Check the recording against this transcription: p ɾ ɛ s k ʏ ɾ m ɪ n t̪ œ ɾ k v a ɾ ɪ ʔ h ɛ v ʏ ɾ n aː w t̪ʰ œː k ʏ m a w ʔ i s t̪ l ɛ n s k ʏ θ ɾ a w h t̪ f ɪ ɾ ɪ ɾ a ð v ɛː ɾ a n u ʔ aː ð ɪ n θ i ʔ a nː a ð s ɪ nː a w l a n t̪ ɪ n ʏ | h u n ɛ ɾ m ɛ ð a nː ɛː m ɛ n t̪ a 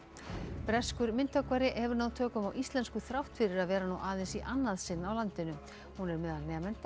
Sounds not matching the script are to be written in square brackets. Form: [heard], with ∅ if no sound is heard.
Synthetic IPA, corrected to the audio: p ɾ ɛ s k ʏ ɾ m ɪ n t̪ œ [∅] k v a ɾ ɪ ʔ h ɛ v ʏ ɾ n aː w t̪ʰ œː k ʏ m a w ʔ i s t̪ l ɛ n s k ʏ θ ɾ a w h t̪ f ɪ ɾ ɪ ɾ a ð v ɛː ɾ a n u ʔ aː ð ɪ n [s] i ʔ a nː a ð s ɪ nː a w l a n t̪ ɪ n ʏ | h u n ɛ ɾ m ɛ ð a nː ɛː m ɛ n t̪ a